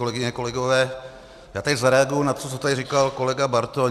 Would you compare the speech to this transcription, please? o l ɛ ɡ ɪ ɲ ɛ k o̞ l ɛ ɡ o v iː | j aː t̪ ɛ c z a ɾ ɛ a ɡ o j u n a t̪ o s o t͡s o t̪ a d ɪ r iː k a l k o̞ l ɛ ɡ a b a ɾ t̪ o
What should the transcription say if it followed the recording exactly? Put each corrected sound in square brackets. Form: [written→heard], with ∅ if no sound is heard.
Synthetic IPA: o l ɛ ɡ ɪ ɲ ɛ k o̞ l ɛ ɡ o v [iː→ɛː] | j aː t̪ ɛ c z a ɾ ɛ a ɡ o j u n a t̪ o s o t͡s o t̪ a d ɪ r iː k a l k o̞ l ɛ ɡ a b a ɾ t̪ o